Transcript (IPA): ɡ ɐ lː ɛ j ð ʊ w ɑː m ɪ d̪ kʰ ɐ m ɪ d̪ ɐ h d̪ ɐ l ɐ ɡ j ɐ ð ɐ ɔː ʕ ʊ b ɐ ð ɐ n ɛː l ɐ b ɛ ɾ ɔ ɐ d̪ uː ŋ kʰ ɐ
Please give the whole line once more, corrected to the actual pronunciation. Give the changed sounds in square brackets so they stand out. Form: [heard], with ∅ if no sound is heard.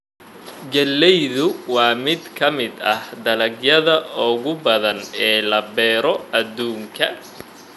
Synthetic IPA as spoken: ɡ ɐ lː ɛ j ð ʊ w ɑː m ɪ d̪ kʰ ɐ m ɪ d̪ ɐ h d̪ ɐ l ɐ ɡ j ɐ ð ɐ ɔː [ɣ] ʊ b ɐ ð ɐ n ɛː l ɐ b [ɛː] ɾ ɔ ɐ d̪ uː ŋ kʰ ɐ